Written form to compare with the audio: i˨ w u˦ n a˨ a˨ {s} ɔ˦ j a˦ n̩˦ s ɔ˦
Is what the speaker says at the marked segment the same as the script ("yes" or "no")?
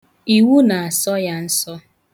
yes